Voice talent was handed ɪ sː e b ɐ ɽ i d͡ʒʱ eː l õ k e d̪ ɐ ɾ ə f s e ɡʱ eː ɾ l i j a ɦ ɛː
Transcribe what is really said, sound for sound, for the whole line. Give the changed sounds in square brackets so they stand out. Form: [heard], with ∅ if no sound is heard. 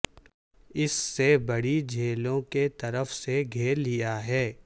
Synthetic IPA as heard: ɪ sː e b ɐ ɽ i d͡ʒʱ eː l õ k e [t̪] ɐ ɾ ə f s e ɡʱ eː ɾ l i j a ɦ ɛː

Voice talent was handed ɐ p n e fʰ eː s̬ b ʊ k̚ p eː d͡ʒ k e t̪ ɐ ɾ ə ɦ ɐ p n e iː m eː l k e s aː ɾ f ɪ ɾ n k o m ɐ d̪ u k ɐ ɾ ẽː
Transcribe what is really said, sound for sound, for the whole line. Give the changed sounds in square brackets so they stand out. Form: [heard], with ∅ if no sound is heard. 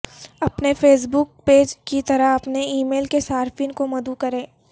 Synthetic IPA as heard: ɐ p n e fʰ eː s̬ b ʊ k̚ p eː d͡ʒ k [i] t̪ ɐ ɾ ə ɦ ɐ p n e iː m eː l k e s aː ɾ f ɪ [∅] n k o m ɐ d̪ u k ɐ ɾ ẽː

